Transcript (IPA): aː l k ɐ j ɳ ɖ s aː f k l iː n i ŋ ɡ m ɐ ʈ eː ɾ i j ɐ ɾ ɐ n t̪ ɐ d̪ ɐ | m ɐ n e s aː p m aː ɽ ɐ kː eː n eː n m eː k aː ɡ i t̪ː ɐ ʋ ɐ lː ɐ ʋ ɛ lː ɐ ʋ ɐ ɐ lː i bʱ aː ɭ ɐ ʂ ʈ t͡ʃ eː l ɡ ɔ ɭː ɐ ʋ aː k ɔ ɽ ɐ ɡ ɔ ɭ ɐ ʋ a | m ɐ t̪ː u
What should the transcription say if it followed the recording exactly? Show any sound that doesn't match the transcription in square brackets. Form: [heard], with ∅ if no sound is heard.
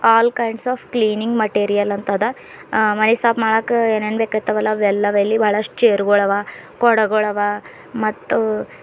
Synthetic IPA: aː l k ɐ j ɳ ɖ s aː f k l iː n i ŋ ɡ m ɐ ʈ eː ɾ i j ɐ [l] ɐ n t̪ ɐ d̪ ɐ | m ɐ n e s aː p m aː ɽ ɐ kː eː n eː n [b] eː k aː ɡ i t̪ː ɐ ʋ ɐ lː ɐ ʋ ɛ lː ɐ ʋ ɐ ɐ lː i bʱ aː ɭ ɐ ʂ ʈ t͡ʃ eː [ɾ] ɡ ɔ [ɭ] ɐ ʋ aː k ɔ ɽ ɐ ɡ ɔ ɭ ɐ ʋ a | m ɐ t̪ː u